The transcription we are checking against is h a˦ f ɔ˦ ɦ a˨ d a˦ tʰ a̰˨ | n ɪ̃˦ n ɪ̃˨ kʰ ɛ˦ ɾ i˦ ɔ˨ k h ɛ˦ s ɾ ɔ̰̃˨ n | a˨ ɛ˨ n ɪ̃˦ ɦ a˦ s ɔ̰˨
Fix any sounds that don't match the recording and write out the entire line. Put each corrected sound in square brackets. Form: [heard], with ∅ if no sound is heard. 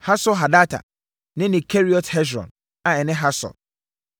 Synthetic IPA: h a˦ [s] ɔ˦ ɦ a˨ d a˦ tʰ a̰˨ | n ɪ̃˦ n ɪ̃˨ kʰ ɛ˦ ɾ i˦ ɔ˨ [t] h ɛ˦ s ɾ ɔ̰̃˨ n | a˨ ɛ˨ n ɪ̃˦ ɦ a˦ s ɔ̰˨